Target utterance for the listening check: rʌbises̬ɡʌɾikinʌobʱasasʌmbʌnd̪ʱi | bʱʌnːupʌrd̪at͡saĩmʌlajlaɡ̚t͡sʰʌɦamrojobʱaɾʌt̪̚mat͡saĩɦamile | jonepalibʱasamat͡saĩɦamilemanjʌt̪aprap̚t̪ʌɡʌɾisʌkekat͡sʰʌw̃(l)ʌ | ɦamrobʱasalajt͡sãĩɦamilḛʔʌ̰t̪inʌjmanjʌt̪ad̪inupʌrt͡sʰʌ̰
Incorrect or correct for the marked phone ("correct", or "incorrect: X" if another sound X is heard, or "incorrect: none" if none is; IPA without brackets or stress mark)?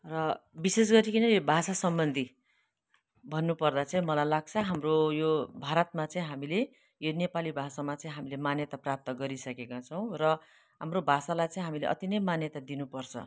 incorrect: r